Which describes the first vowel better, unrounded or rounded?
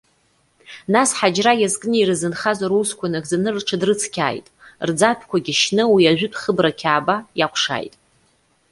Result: unrounded